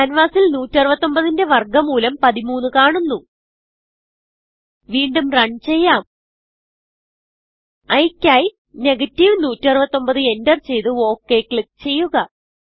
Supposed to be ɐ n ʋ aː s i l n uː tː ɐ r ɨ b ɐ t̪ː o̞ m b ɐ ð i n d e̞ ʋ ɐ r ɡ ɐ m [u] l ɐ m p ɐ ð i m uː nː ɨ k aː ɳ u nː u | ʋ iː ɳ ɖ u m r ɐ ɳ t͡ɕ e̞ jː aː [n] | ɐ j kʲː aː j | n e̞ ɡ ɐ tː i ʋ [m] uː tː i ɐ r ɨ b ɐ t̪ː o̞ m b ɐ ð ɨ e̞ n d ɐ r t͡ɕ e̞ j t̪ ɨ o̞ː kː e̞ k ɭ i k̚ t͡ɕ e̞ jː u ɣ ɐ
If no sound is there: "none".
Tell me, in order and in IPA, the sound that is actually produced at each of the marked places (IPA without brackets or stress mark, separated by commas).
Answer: uː, m, n